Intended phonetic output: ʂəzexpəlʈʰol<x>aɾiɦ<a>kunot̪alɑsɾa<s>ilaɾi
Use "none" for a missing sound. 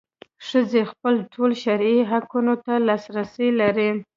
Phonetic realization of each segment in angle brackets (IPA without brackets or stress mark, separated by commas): ʃ, a, s